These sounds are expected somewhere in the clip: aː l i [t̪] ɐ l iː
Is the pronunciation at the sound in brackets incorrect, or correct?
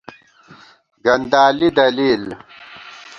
incorrect